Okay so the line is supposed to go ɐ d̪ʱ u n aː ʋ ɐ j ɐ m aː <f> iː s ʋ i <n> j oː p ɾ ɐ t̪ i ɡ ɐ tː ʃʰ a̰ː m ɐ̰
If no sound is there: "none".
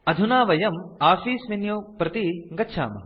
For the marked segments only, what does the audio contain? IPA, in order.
f, n

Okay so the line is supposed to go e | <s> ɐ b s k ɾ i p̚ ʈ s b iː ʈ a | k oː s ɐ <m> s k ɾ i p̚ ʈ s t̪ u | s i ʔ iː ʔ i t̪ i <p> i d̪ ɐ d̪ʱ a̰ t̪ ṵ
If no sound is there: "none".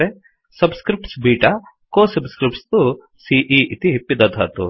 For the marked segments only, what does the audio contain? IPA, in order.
s, b, p

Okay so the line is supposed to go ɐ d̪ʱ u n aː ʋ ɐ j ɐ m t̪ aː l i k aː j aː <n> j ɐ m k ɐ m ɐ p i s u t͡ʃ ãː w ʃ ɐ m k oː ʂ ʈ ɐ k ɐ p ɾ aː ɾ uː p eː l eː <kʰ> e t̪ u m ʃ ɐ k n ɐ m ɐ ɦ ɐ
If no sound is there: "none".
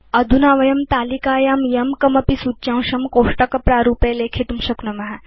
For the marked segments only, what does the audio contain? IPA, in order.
m, kʰ

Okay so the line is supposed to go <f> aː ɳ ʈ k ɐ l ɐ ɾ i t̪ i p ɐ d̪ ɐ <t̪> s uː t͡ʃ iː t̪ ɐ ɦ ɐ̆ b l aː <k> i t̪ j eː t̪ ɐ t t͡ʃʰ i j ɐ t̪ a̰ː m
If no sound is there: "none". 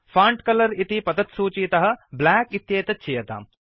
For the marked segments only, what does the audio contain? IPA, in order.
f, t̪, k

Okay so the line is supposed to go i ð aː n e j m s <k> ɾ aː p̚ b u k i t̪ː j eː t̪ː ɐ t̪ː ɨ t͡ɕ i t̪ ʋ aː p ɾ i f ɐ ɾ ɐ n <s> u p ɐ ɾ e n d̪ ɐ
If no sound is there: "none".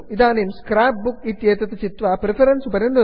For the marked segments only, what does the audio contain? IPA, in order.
k, s

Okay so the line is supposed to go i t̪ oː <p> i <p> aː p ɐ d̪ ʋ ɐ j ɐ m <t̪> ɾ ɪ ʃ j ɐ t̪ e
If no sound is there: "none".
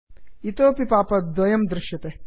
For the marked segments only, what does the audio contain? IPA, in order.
p, p, d̪

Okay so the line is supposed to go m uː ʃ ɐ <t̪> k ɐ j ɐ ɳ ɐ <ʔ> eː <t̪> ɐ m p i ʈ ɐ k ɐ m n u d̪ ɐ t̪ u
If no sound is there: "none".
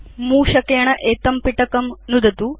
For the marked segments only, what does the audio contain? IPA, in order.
none, ʔ, t̪

